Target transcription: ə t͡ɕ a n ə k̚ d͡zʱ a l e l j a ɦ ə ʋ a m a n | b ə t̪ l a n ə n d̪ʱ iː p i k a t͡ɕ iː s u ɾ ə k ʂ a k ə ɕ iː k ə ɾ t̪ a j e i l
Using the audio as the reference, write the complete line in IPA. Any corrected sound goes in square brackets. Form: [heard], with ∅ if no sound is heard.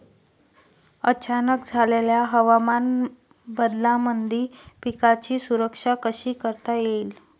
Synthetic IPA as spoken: ə t͡ɕ a n ə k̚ d͡zʱ a l e l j a ɦ ə ʋ a m a n | b ə [d̪] l a [m] ə n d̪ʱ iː p i k a t͡ɕ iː s u ɾ ə k ʂ a k ə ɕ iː k ə ɾ t̪ a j e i l